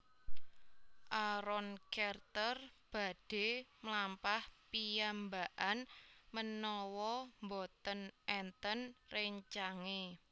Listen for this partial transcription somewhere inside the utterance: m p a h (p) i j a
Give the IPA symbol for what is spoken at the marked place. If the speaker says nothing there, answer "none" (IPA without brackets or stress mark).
p